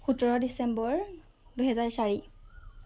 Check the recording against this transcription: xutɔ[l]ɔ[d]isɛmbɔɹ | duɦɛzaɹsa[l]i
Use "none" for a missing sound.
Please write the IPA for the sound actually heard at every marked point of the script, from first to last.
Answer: ɹ, d, ɹ

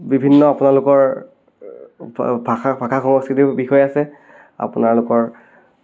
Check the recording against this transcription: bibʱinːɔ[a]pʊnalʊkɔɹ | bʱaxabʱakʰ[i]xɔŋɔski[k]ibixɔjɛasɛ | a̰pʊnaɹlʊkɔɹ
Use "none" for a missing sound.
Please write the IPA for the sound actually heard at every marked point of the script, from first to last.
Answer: a, a, t

